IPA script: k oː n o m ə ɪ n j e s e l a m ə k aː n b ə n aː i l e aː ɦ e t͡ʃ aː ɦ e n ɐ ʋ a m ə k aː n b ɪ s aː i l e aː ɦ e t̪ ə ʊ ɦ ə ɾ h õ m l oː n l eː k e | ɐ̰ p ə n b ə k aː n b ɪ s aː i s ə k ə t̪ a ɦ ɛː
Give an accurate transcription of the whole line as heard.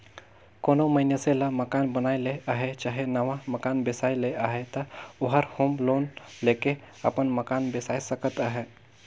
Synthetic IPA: k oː n o m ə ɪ n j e s e l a m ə k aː n b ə n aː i l e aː ɦ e t͡ʃ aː ɦ e n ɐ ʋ a m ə k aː n b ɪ s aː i l e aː ɦ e t̪ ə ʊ ɦ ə ɾ h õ m l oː n l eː k e | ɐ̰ p ə n m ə k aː n b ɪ s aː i s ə k ə t̪ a ɦ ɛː

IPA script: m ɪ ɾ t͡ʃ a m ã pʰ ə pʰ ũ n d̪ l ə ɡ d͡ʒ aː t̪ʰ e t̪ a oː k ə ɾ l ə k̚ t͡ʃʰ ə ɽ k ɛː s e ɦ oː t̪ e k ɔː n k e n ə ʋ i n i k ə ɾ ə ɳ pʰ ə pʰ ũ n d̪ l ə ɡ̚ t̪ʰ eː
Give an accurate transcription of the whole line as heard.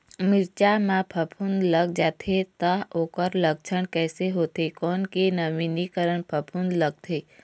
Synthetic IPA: m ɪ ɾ t͡ʃ a m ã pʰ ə pʰ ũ n d̪ l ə ɡ d͡ʒ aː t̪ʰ e t̪ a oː k ə ɾ l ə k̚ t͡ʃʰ ə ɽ k ɛː s e ɦ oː t̪ e k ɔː n k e n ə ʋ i n i k ə ɾ ə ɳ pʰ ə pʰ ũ n d̪ l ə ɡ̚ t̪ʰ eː

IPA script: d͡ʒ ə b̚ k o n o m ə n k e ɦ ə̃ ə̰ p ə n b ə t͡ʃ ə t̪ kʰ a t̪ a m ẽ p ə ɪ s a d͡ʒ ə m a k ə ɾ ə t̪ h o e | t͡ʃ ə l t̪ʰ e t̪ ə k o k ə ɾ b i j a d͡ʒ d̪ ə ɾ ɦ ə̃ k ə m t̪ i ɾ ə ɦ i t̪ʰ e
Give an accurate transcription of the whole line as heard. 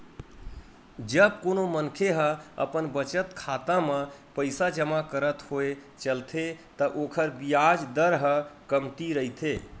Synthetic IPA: d͡ʒ ə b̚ k o n o m ə n kʰ e ɦ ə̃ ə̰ p ə n b ə t͡ʃ ə t̪ kʰ a t̪ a m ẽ p ə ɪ s a d͡ʒ ə m a k ə ɾ ə t̪ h o e | t͡ʃ ə l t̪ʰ e t̪ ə ʔ o kʰ ə ɾ b i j a d͡ʒ d̪ ə ɾ ɦ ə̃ k ə m t̪ i ɾ ə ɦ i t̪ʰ e

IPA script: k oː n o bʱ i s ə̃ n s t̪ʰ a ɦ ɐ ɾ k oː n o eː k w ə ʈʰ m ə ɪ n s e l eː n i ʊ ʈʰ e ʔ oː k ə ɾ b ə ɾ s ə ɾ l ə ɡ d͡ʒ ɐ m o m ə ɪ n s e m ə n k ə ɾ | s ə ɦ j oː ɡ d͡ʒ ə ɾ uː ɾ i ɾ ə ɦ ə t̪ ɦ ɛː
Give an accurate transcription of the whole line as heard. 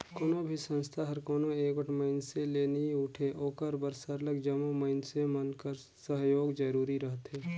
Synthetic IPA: k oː n o bʱ i s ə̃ n s t̪ʰ a ɦ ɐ ɾ k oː n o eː k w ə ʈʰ m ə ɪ n s e l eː n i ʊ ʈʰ e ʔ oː k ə ɾ b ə ɾ s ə ɾ l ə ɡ d͡ʒ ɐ m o m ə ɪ n s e m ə n k ə ɾ | s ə ɦ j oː ɡ d͡ʒ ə ɾ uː ɾ i ɾ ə ɦ ə t̪ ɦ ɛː

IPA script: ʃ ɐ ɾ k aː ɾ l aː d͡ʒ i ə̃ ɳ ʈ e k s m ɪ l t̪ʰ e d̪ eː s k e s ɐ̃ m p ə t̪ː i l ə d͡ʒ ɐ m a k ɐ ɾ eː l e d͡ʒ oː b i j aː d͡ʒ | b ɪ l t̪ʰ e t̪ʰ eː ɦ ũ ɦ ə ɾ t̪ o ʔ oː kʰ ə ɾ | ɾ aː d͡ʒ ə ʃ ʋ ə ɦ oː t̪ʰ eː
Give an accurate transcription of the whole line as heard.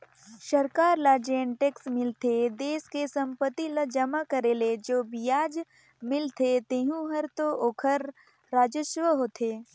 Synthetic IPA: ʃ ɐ ɾ k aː ɾ l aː d͡ʒ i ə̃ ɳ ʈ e k s m ɪ l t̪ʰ e d̪ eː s k e s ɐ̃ m p ə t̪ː i l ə d͡ʒ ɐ m a k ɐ ɾ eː l e d͡ʒ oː b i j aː d͡ʒ | m ɪ l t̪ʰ e t̪ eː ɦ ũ ɦ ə ɾ t̪ o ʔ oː kʰ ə ɾ | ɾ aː d͡ʒ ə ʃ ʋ ə ɦ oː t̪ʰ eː

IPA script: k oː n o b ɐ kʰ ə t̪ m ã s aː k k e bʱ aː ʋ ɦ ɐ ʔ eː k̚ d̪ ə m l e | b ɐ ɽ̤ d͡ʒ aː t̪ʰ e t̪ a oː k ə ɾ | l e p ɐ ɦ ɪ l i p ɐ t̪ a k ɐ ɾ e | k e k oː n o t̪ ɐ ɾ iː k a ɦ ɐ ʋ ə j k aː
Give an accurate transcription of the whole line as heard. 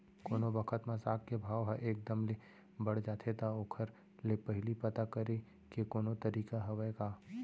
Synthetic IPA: k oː n o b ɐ kʰ ə t̪ m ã s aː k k e bʱ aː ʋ ɦ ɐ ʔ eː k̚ d̪ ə m l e | b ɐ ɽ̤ d͡ʒ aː t̪ʰ e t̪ a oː kʰ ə ɾ | l e p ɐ ɦ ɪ l i p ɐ t̪ a k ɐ ɾ e | k e k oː n o t̪ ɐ ɾ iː k a ɦ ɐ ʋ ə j k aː

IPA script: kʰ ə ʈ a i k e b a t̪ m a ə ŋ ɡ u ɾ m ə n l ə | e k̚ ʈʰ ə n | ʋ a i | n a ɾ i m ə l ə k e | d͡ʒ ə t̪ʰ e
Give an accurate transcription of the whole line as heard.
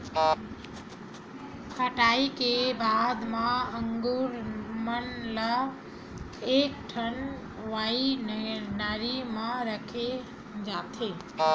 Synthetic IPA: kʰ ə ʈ a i k e b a d̪ m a ə ŋ ɡ u ɾ m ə n l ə | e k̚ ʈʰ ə n | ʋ a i | n a ɾ i m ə ɾ ə kʰ e | d͡ʒ a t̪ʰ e

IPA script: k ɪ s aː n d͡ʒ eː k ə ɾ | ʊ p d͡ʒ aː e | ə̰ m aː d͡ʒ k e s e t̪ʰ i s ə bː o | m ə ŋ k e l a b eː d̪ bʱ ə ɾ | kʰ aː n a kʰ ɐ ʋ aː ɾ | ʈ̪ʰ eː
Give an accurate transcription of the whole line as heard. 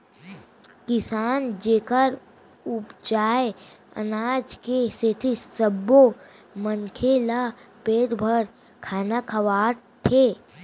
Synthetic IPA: k ɪ s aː n d͡ʒ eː k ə ɾ | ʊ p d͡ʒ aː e | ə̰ n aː d͡ʒ k e s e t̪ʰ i s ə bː o | m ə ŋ kʰ e l a p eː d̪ bʱ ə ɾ | kʰ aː n a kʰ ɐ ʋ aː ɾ | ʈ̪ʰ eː

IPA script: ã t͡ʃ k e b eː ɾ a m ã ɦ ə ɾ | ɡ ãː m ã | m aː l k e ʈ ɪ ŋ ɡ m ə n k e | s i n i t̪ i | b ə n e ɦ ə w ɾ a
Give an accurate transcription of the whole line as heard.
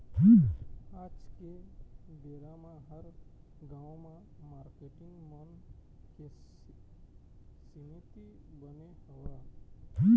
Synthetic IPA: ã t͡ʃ k e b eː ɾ a m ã ɦ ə ɾ | ɡ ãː m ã | m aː ɾ k e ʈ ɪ ŋ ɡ m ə n k e | s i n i t̪ i | b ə n e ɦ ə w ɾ a

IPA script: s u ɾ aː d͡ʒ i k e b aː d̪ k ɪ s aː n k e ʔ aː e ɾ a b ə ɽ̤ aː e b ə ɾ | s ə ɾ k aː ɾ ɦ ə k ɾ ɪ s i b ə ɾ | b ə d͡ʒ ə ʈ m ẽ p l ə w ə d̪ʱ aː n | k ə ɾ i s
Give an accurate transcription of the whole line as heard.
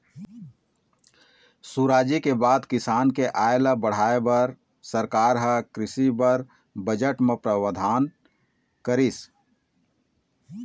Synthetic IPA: s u ɾ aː d͡ʒ i k e b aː d̪ k ɪ s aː n k e ʔ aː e l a b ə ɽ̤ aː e b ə ɾ | s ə ɾ k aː ɾ ɦ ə k ɾ ɪ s i b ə ɾ | b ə d͡ʒ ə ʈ m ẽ p ɾ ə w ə d̪ʱ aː n | k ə ɾ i s

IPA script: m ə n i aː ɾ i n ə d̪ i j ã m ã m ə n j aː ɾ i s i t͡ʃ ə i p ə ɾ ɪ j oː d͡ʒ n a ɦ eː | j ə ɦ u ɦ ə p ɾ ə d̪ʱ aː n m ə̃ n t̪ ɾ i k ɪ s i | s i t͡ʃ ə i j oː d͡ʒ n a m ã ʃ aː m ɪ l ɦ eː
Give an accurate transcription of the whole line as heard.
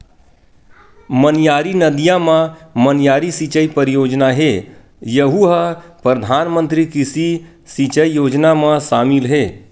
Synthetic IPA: m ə n j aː ɾ i n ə d̪ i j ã m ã m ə n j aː ɾ i s i t͡ʃ ə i p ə ɾ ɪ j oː d͡ʒ n a ɦ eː | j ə ɦ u ɦ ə p ɾ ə d̪ʱ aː n m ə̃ n t̪ ɾ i k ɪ s i | s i t͡ʃ ə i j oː d͡ʒ n a m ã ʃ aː m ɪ l ɦ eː

